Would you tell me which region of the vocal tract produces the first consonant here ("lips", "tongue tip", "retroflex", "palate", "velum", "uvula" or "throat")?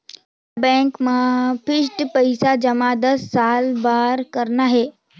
lips